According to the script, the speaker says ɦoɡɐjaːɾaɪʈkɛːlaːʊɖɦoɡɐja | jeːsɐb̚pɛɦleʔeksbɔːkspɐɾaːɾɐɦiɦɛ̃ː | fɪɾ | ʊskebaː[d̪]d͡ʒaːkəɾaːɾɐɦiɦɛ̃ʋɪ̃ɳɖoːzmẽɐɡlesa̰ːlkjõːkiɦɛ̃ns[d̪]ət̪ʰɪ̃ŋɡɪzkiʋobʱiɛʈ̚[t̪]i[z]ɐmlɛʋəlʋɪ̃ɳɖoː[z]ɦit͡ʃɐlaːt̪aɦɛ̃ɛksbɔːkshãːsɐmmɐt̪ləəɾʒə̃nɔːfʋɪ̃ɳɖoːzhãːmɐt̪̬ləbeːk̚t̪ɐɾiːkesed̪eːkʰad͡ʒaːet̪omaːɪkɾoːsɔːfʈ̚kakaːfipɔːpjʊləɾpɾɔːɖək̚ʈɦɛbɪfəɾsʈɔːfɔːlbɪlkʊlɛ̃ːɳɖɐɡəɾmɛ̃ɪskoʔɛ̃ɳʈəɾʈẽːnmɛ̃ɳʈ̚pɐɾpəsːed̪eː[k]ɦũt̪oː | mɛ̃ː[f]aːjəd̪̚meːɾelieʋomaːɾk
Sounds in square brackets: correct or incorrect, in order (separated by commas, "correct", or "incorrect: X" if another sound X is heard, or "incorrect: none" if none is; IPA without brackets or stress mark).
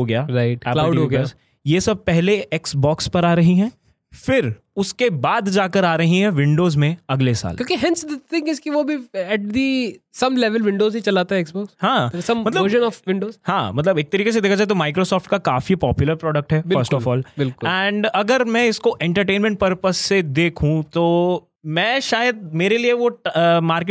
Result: correct, correct, incorrect: d̪, incorrect: s, correct, incorrect: kʰ, incorrect: ʃ